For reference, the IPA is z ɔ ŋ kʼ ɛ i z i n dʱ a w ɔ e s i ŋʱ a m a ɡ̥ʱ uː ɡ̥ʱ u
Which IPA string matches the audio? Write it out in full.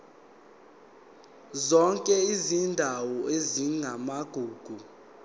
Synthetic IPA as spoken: z ɔ ŋ kʼ ɛ i z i n dʱ a w ɔ e z i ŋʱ a m a ɡ̥ʱ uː ɡ̥ʱ u